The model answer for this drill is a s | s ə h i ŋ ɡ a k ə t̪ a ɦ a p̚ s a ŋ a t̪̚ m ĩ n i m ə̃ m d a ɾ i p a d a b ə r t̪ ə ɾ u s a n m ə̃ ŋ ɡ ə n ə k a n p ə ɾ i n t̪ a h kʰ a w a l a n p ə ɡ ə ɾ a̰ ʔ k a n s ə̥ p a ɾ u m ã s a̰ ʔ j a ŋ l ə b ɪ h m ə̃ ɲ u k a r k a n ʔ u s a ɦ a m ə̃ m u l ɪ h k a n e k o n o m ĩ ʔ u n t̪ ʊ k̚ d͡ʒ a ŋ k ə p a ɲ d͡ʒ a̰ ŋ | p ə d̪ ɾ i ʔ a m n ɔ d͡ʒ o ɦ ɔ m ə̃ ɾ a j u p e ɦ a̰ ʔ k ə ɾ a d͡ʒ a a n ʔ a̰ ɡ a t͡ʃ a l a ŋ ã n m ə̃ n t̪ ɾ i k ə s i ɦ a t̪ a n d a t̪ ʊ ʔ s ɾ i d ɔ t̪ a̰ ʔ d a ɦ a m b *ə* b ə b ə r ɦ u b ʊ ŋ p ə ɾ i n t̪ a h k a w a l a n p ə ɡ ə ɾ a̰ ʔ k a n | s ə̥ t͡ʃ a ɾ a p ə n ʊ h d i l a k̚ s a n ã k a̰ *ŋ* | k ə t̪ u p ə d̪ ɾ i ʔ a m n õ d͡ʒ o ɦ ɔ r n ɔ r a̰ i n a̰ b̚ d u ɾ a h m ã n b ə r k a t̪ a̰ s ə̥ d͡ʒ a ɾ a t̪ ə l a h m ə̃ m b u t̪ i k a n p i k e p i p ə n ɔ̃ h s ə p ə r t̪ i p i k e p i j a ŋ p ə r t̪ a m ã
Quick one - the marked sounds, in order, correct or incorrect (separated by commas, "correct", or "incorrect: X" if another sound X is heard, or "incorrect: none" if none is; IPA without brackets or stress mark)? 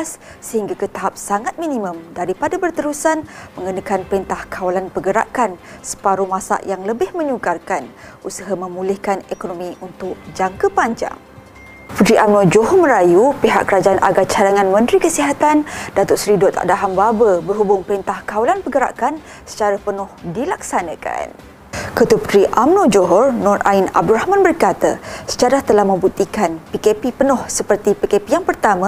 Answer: incorrect: a, incorrect: n